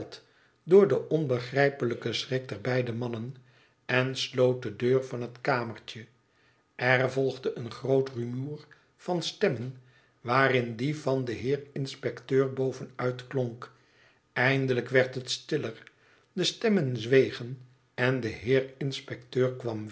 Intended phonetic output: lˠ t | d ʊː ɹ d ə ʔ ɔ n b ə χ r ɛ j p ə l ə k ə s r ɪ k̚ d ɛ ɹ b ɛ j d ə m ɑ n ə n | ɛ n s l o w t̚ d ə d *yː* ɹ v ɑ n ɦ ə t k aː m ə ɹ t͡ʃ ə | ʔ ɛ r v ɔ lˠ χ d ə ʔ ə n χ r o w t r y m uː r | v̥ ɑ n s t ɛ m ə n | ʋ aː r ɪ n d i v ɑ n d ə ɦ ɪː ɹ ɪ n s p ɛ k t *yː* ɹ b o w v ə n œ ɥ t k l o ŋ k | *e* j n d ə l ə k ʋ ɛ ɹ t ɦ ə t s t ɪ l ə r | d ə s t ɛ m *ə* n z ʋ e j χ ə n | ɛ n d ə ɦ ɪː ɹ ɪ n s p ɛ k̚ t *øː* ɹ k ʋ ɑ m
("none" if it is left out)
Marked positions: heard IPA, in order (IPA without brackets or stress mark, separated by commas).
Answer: øː, øː, ɛ, ə, øː